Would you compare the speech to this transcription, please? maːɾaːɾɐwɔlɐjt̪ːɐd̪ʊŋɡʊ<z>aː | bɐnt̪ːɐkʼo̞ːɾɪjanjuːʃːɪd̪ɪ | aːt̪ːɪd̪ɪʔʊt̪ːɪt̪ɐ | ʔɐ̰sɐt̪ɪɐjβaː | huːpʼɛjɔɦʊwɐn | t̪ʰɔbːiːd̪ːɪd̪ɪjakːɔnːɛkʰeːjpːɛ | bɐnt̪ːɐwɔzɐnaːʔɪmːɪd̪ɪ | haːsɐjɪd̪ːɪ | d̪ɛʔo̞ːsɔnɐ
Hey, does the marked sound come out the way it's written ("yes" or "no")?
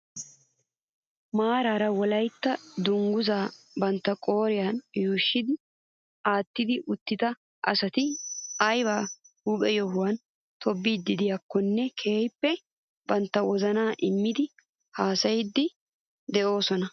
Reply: yes